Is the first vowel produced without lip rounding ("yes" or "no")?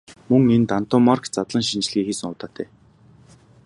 no